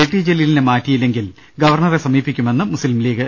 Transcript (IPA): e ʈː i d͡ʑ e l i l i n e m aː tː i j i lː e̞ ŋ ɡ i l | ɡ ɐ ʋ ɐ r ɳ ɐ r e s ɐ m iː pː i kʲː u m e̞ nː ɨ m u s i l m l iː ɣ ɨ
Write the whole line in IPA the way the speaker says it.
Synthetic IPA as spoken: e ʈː i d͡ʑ e l i l i n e m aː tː i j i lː e̞ ŋ ɡ i l | ɡ ɐ ʋ ɐ r ɳ ɐ r e s ɐ m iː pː i kʲː u m e̞ nː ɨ m u s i l m l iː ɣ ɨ